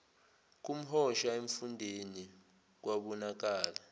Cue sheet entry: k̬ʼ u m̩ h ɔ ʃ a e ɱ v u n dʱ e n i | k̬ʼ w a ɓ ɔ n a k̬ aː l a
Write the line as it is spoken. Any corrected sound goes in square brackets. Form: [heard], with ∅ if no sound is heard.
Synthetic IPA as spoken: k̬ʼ u m̩ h ɔ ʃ a e ɱ [f] u n dʱ e n i | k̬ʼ w a ɓ ɔ n a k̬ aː l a